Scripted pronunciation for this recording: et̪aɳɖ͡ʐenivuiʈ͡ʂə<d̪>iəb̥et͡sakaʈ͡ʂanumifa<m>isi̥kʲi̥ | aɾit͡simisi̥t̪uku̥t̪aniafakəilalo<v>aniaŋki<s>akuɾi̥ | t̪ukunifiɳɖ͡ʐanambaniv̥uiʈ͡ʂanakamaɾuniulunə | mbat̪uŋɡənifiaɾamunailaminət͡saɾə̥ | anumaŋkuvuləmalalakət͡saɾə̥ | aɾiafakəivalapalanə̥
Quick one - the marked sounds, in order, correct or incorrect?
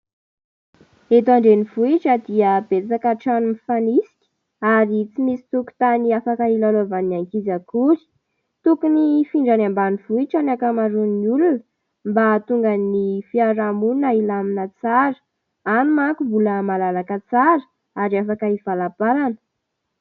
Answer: correct, incorrect: n, correct, incorrect: z

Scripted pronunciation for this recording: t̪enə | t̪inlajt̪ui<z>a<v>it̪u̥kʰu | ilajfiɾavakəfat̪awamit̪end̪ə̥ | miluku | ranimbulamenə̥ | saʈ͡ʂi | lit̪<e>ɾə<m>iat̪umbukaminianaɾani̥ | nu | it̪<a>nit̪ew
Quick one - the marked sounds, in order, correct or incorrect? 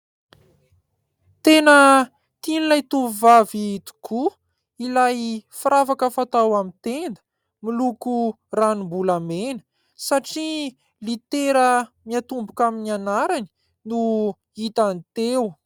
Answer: incorrect: v, correct, correct, correct, correct

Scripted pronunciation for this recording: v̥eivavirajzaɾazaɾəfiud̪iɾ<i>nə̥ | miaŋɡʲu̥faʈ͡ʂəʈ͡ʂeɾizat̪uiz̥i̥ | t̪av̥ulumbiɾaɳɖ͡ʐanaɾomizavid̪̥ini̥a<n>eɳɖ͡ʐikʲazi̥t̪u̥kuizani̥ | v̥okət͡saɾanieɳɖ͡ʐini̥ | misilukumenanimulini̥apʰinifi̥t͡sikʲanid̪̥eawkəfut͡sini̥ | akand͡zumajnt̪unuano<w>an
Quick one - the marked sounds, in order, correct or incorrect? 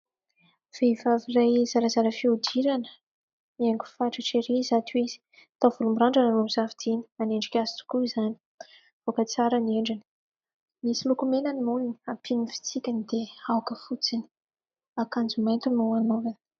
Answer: incorrect: a, correct, incorrect: v

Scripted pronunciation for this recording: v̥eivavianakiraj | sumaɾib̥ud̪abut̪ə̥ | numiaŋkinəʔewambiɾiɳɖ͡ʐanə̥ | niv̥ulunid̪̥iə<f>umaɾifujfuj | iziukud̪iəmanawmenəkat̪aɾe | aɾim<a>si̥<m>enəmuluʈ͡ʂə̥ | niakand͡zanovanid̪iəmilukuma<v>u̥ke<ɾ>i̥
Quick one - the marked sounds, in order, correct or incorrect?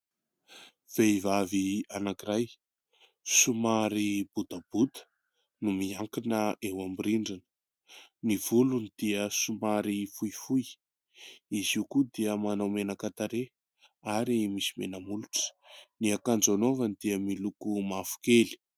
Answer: incorrect: s, incorrect: i, correct, incorrect: f, incorrect: l

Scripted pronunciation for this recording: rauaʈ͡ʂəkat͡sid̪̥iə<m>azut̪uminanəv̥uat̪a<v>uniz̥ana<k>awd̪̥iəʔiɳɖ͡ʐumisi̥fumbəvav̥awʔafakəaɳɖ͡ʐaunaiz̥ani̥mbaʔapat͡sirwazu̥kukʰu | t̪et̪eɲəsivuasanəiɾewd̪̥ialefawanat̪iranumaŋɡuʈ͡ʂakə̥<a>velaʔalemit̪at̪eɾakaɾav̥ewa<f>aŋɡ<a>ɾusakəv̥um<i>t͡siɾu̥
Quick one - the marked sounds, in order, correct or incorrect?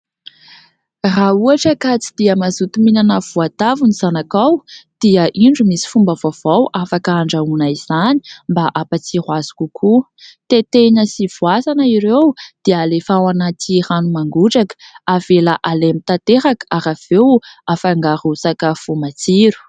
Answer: correct, correct, correct, correct, correct, correct, incorrect: a

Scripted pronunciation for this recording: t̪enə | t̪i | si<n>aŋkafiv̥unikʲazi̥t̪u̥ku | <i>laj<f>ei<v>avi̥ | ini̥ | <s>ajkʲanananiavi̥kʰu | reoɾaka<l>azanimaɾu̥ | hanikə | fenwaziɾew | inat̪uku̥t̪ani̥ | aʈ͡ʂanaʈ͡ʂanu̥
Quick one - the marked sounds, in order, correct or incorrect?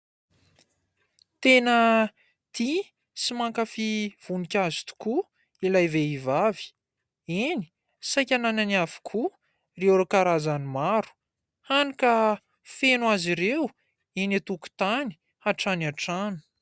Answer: incorrect: m, correct, incorrect: v, correct, correct, incorrect: ɾ

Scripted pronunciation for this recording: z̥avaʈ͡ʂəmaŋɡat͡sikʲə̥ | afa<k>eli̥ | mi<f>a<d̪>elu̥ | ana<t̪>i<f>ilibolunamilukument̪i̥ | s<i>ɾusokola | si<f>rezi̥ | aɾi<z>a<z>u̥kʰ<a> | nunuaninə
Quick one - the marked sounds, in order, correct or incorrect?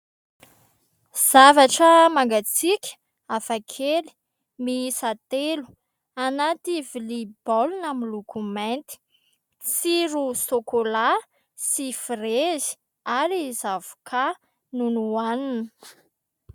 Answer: incorrect: kʰ, incorrect: s, incorrect: t̪, correct, incorrect: v, correct, correct, correct, incorrect: v, correct

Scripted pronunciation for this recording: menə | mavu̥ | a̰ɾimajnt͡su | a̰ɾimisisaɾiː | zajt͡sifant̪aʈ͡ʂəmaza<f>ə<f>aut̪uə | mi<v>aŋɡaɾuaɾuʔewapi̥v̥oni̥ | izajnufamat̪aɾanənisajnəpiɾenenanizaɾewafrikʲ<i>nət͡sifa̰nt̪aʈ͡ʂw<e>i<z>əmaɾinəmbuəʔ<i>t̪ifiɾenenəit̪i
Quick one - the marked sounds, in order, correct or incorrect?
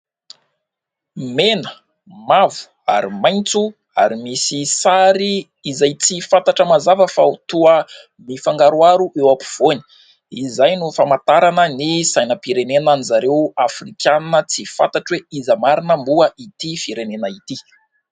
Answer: incorrect: v, correct, incorrect: f, incorrect: a, correct, correct, correct

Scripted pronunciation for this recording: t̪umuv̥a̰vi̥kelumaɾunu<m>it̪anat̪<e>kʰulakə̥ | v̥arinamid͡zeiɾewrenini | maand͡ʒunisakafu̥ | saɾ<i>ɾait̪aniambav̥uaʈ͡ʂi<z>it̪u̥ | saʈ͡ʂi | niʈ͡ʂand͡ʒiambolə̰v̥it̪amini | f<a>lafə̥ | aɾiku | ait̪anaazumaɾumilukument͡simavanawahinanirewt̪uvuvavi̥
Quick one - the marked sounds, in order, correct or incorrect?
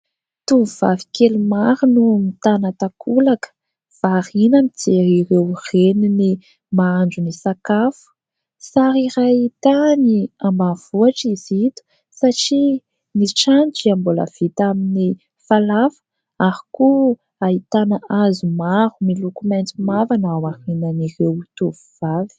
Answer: correct, incorrect: a, correct, correct, correct

